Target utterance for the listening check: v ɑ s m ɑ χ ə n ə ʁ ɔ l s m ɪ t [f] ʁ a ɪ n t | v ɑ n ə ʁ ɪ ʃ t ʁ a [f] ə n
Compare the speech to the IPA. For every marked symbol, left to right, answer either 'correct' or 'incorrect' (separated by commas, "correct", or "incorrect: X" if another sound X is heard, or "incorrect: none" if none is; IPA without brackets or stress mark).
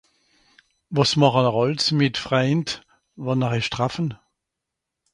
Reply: correct, correct